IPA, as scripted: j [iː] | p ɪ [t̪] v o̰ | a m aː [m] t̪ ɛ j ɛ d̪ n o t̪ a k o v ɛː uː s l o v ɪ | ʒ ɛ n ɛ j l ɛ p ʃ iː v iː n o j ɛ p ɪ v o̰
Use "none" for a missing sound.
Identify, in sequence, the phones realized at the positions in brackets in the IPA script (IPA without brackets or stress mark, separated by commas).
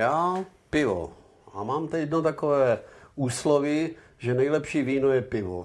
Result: aː, none, m